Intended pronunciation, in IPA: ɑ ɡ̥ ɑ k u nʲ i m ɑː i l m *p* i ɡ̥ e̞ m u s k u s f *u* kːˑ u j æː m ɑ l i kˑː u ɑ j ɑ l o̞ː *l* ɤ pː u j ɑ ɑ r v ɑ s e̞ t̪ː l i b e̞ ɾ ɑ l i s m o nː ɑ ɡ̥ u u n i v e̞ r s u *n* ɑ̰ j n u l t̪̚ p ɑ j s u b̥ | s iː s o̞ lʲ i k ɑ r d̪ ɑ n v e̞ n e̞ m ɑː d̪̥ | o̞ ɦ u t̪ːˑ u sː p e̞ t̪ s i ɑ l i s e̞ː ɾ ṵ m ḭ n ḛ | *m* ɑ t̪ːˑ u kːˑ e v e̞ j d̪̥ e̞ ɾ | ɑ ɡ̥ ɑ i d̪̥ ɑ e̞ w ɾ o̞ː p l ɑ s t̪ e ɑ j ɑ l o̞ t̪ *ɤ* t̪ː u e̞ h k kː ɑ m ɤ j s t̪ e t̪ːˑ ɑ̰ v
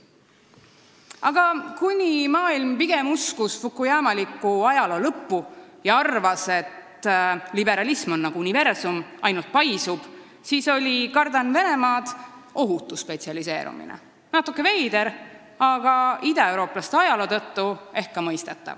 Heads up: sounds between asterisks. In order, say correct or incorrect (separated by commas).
correct, correct, correct, incorrect, incorrect, correct